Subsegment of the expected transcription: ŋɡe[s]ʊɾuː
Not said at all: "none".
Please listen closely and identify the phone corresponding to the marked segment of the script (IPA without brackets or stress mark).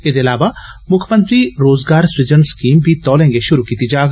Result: ʃ